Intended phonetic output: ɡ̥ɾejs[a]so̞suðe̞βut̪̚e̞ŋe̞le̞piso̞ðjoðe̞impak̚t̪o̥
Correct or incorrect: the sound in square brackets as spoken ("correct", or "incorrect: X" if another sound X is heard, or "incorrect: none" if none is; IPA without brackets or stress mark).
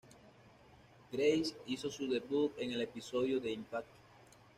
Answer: incorrect: i